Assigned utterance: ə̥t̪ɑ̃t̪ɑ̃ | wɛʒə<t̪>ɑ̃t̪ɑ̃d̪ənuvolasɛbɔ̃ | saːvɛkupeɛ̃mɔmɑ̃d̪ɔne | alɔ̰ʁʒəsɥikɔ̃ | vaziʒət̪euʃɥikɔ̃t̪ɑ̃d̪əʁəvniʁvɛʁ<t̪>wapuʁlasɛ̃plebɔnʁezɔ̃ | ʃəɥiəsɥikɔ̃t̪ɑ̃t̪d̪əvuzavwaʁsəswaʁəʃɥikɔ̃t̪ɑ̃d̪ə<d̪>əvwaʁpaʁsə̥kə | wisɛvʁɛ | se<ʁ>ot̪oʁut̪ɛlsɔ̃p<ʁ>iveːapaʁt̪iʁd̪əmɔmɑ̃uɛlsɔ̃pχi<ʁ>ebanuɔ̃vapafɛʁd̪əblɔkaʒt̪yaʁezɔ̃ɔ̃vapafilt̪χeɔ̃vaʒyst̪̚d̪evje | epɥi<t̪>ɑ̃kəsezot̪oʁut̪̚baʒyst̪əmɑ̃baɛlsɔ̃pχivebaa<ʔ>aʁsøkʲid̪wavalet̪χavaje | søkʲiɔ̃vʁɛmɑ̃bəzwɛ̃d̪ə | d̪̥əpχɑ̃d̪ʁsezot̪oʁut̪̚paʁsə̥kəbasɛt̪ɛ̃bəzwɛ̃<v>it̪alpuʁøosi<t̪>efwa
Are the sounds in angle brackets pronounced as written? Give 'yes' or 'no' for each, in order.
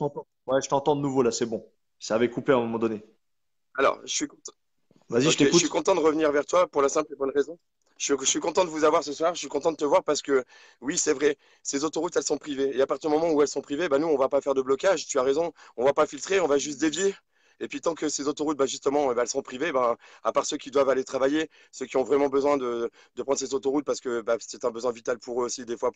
yes, yes, no, no, no, no, yes, no, yes, no

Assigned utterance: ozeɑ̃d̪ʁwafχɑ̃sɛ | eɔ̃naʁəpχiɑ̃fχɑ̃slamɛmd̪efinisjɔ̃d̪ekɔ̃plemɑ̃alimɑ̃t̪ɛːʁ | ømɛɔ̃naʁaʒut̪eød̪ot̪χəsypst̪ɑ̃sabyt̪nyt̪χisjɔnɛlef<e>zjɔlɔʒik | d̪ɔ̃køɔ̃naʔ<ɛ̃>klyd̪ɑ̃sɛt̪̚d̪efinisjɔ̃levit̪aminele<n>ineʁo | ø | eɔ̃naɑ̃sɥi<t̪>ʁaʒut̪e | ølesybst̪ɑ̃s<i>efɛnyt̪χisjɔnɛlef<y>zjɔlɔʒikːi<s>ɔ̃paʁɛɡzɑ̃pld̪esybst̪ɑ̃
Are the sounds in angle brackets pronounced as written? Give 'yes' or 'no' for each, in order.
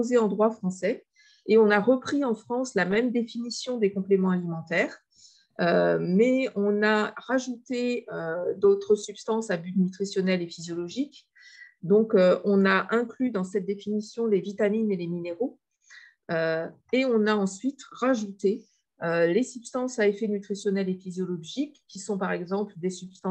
no, yes, no, yes, no, no, yes

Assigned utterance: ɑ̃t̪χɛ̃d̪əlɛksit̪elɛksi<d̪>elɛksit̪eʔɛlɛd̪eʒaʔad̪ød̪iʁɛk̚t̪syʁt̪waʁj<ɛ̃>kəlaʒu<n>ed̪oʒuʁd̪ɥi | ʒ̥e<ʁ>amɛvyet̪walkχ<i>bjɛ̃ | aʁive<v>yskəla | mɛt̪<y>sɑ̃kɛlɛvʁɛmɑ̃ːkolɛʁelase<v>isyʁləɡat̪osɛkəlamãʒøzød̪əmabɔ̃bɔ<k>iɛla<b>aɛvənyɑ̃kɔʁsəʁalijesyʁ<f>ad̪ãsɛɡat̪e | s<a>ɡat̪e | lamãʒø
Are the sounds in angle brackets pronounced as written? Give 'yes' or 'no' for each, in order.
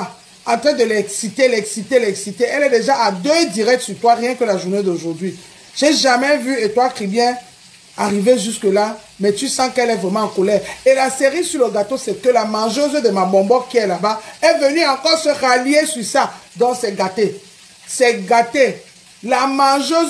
no, yes, yes, no, yes, no, yes, no, yes, yes, no, no

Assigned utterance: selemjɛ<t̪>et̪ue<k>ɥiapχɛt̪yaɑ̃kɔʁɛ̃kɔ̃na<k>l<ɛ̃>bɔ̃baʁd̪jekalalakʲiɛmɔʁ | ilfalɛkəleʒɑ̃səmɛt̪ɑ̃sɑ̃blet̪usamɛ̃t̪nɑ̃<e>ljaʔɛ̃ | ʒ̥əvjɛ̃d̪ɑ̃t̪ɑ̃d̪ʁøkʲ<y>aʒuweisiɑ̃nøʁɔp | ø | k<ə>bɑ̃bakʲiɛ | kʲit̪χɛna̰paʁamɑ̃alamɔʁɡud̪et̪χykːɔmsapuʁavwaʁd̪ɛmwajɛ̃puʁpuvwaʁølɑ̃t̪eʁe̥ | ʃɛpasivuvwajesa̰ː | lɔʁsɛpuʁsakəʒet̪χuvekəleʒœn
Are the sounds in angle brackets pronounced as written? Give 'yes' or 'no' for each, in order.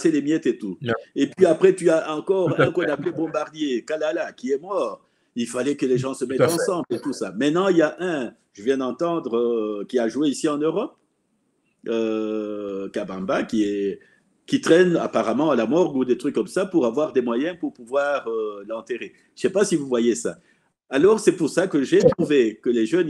yes, no, no, no, no, no, no

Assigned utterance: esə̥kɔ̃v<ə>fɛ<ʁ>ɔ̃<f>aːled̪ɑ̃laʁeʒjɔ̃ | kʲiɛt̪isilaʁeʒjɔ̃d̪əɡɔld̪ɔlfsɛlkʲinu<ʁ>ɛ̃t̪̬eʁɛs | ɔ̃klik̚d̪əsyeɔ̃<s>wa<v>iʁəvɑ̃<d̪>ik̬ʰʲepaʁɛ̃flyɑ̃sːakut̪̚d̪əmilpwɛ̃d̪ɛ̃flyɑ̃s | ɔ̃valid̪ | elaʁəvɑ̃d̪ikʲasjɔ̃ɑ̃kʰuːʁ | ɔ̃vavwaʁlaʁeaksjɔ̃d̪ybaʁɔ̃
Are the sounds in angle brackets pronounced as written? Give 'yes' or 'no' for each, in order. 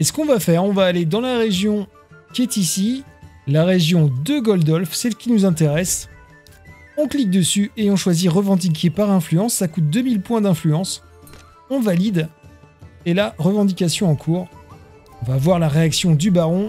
no, yes, no, no, no, no, yes

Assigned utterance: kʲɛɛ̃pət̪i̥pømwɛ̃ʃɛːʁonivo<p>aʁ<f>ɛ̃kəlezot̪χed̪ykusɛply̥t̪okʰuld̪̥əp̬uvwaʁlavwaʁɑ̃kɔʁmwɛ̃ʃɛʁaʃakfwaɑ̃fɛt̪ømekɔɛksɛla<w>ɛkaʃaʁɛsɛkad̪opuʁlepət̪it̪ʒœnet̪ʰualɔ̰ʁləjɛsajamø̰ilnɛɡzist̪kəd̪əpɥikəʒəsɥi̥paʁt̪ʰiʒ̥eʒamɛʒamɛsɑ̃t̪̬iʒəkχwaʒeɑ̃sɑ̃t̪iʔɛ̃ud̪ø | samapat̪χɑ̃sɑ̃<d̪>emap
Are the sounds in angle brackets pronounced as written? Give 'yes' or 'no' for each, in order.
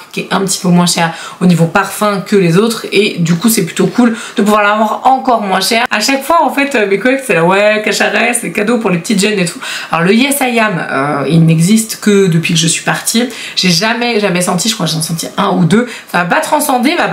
yes, yes, yes, yes

